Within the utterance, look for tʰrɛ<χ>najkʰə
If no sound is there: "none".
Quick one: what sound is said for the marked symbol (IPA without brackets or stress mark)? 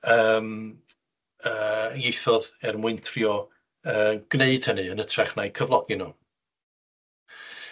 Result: χ